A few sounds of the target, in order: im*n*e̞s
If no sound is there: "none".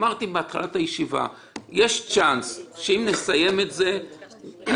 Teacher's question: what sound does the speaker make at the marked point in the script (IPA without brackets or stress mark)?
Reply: n